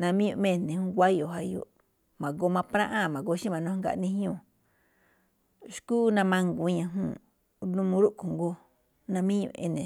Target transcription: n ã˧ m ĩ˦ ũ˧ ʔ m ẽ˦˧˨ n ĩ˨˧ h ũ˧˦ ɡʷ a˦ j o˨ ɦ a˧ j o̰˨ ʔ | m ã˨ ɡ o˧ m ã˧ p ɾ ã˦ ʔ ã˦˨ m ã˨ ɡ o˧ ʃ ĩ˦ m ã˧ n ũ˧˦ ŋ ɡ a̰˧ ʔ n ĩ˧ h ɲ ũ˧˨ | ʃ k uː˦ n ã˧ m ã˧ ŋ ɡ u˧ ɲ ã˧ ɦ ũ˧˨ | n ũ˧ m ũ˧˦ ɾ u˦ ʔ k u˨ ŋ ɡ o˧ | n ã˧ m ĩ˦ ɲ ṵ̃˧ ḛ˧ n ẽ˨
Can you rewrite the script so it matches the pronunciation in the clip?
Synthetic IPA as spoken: n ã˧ m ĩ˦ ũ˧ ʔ m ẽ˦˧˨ n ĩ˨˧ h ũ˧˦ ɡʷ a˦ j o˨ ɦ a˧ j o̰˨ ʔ | m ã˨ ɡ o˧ m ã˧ p ɾ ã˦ ʔ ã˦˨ m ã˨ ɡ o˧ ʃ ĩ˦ m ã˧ n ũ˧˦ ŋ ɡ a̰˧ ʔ n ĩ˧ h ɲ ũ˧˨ | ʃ k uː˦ n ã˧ m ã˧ ŋ ɡ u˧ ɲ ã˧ ɦ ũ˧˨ | n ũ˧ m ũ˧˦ ɾ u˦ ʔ k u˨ ŋ ɡ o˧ | n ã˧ m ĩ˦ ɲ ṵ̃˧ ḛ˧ n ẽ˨